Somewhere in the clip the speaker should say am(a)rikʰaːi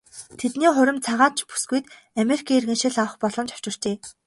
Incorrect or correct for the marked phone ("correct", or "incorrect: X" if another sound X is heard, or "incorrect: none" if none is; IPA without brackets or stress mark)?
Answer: incorrect: e